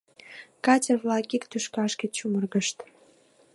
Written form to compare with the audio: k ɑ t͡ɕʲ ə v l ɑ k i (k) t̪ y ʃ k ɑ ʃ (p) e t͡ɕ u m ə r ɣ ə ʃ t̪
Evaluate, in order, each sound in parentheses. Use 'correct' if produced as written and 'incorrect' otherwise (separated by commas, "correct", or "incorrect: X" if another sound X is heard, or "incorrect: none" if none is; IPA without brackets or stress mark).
correct, incorrect: k